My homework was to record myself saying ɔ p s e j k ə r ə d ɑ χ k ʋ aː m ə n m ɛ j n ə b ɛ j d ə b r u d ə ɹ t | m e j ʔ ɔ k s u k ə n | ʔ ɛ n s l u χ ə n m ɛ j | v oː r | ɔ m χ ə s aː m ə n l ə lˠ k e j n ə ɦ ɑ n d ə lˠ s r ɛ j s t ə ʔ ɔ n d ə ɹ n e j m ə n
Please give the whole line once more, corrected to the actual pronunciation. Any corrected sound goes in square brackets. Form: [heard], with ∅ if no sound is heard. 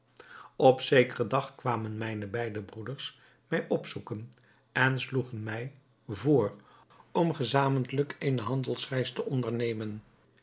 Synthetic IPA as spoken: ɔ p s e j k ə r ə d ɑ χ k ʋ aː m ə n m ɛ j n ə b ɛ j d ə b r u d ə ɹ [s] | m [ɛ] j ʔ ɔ [p] s u k ə n | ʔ ɛ n s l u χ ə n m ɛ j | v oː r | ɔ m χ ə [z] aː m ə n l ə [∅] k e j n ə ɦ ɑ n d ə lˠ s r ɛ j s t ə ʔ ɔ n d ə ɹ n e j m ə n